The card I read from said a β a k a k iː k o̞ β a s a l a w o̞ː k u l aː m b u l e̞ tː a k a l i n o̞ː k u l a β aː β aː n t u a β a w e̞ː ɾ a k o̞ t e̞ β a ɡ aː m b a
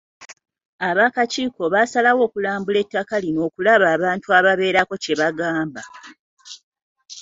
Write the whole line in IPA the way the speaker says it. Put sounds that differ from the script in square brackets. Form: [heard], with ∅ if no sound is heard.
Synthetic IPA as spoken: a β a k a [c] iː k o̞ β a s a l a w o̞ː k u l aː m b u l e̞ tː a k a l i n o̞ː k u l a β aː β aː n t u a β a [β] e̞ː ɾ a k o̞ [c] e̞ β a ɡ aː m b a

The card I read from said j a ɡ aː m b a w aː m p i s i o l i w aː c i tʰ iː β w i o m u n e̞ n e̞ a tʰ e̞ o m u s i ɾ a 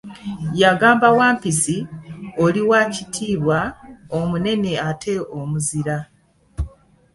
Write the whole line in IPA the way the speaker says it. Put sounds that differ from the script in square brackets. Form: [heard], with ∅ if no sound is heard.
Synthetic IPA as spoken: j a ɡ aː m b a w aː m p i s i o l i w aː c i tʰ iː β w [a] o m u n e̞ n e̞ a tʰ e̞ o m u [z] i ɾ a

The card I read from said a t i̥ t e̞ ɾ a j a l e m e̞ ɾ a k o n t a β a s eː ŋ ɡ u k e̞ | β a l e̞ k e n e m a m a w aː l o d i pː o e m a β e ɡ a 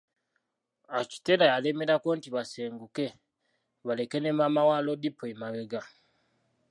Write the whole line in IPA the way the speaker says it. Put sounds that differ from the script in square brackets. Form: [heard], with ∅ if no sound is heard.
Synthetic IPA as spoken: a [c] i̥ t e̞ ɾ a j a l e m e̞ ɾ a k o n t [i] β a s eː ŋ ɡ u k e̞ | β a l e̞ k e n e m a m a w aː l o d i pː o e m a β e ɡ a

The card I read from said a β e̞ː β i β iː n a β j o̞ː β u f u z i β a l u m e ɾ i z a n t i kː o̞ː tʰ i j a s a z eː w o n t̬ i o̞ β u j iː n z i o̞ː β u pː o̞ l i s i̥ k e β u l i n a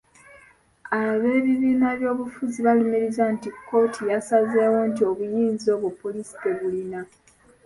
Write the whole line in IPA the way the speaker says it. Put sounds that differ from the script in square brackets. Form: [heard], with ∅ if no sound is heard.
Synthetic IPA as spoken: a β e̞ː β i β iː n a β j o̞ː β u f u z i β a l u m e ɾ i z a n t i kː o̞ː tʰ i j a s a z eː w o n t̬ i o̞ β u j iː n z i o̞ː β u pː o̞ l i s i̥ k e β u l i n a

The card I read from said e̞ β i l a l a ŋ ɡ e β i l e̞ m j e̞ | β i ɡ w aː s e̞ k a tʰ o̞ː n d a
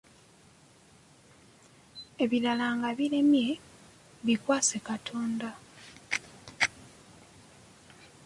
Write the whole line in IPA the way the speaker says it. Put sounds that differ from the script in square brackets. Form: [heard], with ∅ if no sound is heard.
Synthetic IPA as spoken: e̞ β i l a l a ŋ ɡ [a] β i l e̞ m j e̞ | β i [k] w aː s e̞ k a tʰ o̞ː n d a

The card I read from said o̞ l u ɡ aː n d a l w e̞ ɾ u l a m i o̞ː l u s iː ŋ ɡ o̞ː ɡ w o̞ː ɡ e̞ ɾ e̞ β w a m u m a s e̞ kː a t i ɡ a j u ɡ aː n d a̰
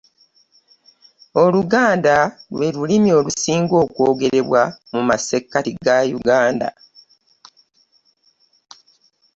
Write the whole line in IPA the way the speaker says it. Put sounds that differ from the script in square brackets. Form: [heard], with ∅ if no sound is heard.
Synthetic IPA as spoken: o̞ l u ɡ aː n d a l w e̞ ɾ u l [i] m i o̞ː l u s iː ŋ ɡ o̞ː [k] w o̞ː ɡ e̞ ɾ e̞ β w a m u m a s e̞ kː a t i ɡ a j u ɡ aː n d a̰

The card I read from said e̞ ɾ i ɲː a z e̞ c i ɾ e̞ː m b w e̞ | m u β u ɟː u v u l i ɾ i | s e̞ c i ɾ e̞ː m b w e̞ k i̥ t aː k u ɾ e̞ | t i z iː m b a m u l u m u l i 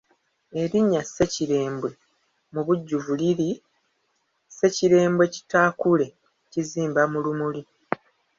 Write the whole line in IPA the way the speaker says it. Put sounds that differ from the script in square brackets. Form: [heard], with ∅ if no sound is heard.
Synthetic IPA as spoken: e̞ ɾ i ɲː a [s] e̞ c i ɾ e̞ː m b w e̞ | m u β u ɟː u v u l i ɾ i | s e̞ c i ɾ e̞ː m b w e̞ [c] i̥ t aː k u [l] e̞ | [c] i z iː m b a m u l u m u l i

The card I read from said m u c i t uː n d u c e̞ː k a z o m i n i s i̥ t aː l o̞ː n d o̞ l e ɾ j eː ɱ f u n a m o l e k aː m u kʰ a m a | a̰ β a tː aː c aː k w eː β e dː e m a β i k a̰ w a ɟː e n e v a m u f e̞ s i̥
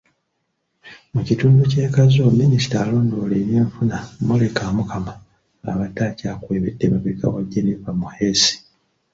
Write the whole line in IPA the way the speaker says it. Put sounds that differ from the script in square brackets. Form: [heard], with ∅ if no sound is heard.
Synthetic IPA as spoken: m u c i t uː n d u c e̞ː k a z o m i n i s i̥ t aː l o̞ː n d o̞ l e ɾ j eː ɱ f u n a m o l e k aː m u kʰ a m a | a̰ β a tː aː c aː k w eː β e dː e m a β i k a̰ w a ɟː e n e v a m u [h] e̞ s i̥

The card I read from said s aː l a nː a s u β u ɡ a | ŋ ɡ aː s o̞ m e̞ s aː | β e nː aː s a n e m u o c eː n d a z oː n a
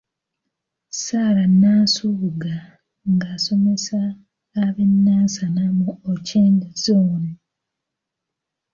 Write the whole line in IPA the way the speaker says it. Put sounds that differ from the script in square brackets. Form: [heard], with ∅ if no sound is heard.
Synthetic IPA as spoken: s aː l a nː a s u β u ɡ a | ŋ ɡ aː s o̞ m e̞ s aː | β e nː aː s a n [a] m u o c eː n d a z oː n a

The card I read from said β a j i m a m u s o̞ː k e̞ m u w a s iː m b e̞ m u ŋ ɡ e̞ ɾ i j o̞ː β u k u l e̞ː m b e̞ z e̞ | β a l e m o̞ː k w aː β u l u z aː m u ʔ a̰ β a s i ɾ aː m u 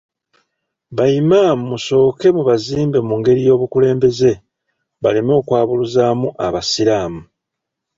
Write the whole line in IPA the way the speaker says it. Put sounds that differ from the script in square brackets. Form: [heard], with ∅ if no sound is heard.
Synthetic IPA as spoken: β a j i m a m u s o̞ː k e̞ m u [β] a [z] iː m b e̞ m u ŋ ɡ e̞ ɾ i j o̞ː β u k u l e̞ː m b e̞ z e̞ | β a l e m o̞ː k w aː β u l u z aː m u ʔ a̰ β a s i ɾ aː m u

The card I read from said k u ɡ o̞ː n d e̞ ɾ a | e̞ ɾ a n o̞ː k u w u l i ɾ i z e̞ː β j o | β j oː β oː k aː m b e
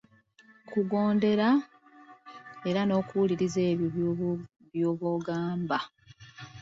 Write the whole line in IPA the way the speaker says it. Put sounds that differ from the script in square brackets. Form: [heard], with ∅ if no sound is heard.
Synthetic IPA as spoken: k u ɡ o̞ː n d e̞ ɾ a | e̞ ɾ a n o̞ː k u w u l i ɾ i z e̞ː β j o | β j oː β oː [ɡ] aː m b [a]

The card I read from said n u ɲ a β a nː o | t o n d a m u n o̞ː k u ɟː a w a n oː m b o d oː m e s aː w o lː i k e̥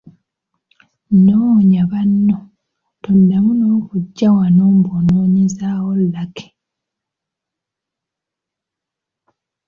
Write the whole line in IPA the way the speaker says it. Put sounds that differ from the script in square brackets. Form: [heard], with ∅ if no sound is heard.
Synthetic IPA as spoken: n [o] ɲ a β a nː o | t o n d a m u n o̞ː k u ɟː a w a n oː m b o [n] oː [ɲ] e [z] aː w o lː [a] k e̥

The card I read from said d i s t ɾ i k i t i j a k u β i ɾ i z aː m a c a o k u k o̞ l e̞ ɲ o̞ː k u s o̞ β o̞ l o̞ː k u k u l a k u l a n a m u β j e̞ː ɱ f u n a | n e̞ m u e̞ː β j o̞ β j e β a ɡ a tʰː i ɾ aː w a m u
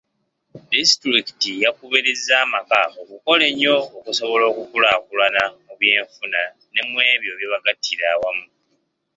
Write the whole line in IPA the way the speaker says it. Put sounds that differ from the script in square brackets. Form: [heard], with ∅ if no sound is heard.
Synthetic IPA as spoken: d i s t ɾ i k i t i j a k u β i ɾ i z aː m a [k] a o k u k o̞ l e̞ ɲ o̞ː k u s o̞ β o̞ l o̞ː k u k u l a k u l a n a m u β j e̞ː ɱ f u n a | n e̞ m [w] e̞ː β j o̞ β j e β a ɡ a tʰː i ɾ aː w a m u

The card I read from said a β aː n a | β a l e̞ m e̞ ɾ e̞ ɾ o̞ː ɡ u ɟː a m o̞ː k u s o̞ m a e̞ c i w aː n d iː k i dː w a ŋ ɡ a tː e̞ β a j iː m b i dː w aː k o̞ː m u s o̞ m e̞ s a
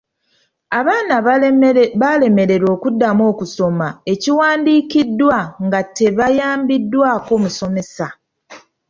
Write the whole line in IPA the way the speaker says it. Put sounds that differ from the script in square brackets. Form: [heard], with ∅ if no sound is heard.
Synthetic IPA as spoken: a β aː n a | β a l e̞ m e̞ ɾ e̞ ɾ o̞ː [k] u [dː] a m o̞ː k u s o̞ m a e̞ c i w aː n d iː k i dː w a ŋ ɡ a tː e̞ β a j [aː] m b i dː w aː k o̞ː m u s o̞ m e̞ s a

